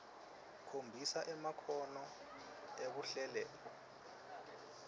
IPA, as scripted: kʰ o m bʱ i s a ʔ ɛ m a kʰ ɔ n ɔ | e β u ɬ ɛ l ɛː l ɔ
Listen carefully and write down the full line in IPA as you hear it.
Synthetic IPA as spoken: kʰ o m bʱ i s a ʔ ɛ m a kʰ ɔ n ɔ | e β u ɬ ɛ l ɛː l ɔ